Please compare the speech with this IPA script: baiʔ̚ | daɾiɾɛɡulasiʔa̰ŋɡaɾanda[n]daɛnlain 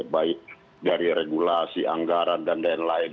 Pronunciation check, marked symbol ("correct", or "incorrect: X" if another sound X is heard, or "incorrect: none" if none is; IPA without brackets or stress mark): correct